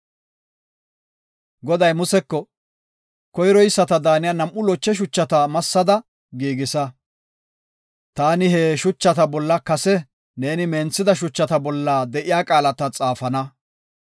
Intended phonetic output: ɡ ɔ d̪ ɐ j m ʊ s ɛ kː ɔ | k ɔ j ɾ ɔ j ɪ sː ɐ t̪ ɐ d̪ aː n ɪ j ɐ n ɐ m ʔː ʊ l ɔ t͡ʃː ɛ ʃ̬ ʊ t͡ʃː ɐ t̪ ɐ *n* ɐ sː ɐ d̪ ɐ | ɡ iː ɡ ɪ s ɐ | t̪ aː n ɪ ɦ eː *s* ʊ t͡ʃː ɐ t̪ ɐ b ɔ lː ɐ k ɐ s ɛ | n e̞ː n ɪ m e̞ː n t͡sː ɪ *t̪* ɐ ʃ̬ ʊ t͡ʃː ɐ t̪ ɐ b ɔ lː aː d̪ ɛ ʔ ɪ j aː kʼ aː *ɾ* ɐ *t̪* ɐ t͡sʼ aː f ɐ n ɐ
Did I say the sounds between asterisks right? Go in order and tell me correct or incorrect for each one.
incorrect, incorrect, incorrect, incorrect, correct

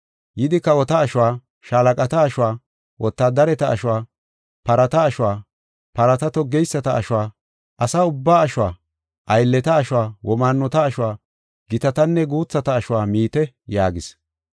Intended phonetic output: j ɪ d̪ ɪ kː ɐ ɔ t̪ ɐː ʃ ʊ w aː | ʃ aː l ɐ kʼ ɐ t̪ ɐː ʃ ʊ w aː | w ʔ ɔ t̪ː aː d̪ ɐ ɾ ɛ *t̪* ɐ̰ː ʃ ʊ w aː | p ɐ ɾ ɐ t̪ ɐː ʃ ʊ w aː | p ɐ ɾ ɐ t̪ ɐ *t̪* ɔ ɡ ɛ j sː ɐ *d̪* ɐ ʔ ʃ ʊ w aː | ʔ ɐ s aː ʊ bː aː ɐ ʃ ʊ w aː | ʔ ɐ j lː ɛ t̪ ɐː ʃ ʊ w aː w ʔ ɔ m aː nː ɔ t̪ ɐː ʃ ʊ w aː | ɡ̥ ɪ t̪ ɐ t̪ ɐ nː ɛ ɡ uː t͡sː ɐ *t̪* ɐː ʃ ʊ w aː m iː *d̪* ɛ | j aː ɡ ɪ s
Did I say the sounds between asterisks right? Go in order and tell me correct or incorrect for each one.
correct, correct, incorrect, correct, incorrect

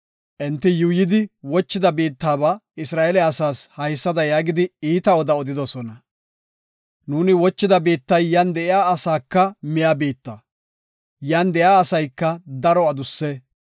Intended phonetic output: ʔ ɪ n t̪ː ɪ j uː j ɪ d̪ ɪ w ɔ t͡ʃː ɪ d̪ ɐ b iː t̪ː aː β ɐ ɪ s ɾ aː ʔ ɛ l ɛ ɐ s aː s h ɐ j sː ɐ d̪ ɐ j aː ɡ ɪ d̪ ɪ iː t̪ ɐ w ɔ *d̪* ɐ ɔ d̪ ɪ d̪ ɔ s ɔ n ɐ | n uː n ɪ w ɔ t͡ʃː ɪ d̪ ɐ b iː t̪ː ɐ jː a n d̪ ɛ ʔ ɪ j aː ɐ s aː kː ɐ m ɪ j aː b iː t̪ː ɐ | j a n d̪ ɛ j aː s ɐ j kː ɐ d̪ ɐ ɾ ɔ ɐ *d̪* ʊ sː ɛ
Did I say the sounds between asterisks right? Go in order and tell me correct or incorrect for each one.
correct, correct

